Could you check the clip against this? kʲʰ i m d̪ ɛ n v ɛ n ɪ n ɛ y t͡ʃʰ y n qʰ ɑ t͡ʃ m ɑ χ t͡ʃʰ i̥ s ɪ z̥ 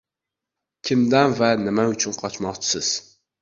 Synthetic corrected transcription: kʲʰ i m d̪ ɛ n v ɛ n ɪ m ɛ y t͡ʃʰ y n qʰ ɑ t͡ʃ m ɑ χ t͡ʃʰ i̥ s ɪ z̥